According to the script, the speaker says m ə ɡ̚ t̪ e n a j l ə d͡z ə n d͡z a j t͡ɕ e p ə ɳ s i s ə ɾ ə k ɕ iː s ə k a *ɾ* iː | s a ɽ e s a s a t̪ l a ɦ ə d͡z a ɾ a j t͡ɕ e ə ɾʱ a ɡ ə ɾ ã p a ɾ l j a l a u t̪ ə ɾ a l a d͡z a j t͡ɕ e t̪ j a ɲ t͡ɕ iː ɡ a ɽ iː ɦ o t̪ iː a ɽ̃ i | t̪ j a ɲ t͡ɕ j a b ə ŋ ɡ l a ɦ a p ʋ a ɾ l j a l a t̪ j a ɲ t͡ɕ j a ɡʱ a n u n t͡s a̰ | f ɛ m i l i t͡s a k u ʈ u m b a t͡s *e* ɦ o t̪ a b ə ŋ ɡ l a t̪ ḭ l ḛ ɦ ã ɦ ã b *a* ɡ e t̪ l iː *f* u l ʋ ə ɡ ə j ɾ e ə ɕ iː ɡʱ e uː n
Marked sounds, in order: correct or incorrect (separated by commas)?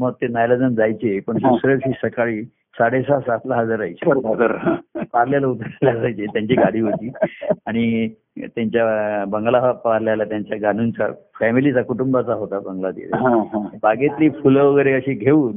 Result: incorrect, incorrect, correct, correct